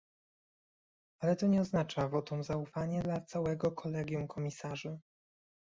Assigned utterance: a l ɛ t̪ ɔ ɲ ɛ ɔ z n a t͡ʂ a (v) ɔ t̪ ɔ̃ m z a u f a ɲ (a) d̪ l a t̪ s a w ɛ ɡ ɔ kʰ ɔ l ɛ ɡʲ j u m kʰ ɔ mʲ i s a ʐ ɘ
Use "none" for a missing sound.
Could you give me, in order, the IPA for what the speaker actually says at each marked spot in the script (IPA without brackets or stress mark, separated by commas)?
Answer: v, ɛ